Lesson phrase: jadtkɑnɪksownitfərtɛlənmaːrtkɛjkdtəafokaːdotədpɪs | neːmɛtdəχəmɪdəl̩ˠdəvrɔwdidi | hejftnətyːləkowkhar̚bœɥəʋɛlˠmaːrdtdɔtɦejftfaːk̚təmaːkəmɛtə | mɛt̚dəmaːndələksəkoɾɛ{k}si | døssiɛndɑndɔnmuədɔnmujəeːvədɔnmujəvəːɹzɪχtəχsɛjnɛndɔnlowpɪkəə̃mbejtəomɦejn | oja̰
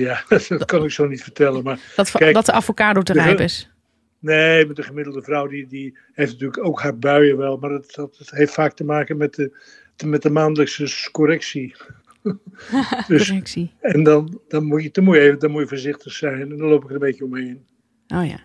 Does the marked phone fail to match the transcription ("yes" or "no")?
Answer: no